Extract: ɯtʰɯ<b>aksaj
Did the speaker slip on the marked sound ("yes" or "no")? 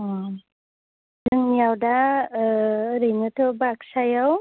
no